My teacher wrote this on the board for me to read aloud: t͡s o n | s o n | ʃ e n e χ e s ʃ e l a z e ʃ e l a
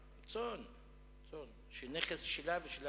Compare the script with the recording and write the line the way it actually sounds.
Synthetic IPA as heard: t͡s o n | t͡s o n | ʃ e n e χ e s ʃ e l a v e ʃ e l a